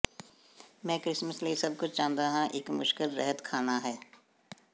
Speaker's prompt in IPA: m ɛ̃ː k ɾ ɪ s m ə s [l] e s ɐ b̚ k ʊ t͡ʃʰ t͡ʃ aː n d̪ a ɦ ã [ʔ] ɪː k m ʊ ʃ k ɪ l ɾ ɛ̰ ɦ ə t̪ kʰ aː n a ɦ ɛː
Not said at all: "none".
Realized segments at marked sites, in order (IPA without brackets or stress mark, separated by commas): l, ʔ